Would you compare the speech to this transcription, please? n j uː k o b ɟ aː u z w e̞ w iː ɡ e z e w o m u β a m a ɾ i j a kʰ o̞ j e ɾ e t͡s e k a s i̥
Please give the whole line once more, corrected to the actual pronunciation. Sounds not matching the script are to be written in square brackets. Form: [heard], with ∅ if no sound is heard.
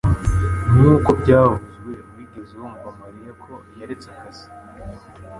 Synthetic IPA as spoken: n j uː k o b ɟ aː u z w e̞ w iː ɡ e z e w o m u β a m a ɾ i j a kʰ o̞ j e ɾ e t͡s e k a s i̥